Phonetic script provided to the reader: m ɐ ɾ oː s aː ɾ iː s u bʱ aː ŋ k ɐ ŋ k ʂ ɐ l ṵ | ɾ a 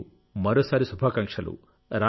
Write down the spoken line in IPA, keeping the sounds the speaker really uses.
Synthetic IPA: m ɐ ɾ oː s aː ɾ i s u bʱ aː k ɐ ŋ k ʂ ɐ l ṵ | ɾ a

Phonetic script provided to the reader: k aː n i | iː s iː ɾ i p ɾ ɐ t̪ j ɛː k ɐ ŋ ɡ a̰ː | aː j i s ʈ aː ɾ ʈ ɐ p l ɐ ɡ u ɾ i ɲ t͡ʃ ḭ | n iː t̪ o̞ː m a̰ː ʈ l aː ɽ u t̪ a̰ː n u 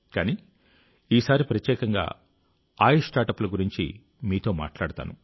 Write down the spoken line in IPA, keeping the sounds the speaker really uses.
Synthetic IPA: k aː n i | iː s aː ɾ i p ɾ ɐ t̪ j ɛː k ɐ ŋ ɡ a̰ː | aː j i s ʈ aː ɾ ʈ ɐ p l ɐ ɡ u ɾ i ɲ t͡ʃ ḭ | m iː t̪ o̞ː m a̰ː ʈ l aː ɽ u t̪ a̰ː n u

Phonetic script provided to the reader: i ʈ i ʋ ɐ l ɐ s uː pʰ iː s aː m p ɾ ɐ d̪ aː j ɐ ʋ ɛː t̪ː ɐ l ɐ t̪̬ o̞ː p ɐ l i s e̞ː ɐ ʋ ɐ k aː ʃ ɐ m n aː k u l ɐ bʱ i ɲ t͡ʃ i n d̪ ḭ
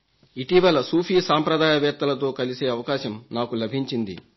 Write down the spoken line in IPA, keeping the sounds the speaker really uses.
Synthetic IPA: i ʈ i ʋ ɐ l ɐ s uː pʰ iː s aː m p ɾ ɐ d̪ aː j ɐ ʋ ɛː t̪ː ɐ l ɐ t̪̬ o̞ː k ɐ l i s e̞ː ɐ ʋ ɐ k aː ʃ ɐ m n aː k u l ɐ bʱ i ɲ t͡ʃ i n d̪ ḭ

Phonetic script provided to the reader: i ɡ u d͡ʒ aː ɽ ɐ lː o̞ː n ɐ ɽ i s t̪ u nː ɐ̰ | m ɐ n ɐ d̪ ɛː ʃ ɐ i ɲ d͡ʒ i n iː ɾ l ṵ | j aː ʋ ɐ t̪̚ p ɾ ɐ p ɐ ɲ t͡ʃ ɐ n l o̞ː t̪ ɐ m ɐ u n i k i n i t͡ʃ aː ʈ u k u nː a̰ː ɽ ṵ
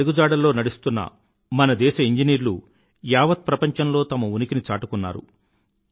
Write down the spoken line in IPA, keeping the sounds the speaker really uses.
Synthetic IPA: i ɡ u d͡ʒ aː ɽ ɐ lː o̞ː n ɐ ɽ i s t̪ u nː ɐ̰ | m ɐ n ɐ d̪ ɛː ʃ ɐ i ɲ d͡ʒ i n iː ɾ l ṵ | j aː ʋ ɐ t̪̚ p ɾ ɐ p ɐ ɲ t͡ʃ ɐ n l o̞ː t̪ ɐ m ɐ u n i k i n i t͡ʃ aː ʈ u k u nː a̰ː ɾ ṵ

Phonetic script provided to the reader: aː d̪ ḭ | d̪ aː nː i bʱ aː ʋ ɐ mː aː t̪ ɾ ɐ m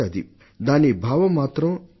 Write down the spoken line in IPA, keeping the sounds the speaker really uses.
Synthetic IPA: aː d̪ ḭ | d̪ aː n i bʱ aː ʋ ɐ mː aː t̪ ɾ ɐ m

